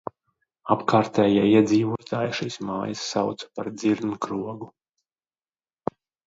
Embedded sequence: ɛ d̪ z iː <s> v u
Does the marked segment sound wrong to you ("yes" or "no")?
yes